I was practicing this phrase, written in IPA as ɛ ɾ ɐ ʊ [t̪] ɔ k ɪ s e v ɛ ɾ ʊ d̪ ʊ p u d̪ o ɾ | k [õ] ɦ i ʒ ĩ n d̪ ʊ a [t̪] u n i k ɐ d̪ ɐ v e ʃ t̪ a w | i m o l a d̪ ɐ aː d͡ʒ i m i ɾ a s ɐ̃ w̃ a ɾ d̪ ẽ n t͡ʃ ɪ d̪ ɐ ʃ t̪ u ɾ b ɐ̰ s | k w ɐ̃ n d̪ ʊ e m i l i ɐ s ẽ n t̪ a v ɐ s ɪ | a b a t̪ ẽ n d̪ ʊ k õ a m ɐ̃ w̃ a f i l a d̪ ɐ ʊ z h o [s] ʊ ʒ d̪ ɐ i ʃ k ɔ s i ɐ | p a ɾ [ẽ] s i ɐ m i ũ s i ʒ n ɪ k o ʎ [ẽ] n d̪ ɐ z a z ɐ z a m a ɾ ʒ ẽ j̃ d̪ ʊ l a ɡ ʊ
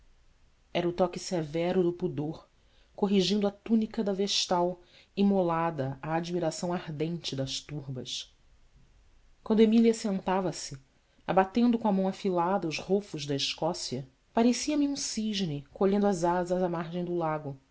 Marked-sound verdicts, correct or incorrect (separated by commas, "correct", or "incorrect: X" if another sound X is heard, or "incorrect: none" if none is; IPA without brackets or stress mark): correct, incorrect: o, correct, incorrect: f, incorrect: e, correct